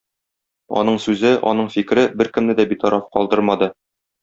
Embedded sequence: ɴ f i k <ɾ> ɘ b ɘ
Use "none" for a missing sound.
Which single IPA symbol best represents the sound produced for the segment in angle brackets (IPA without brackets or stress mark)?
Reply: ɾ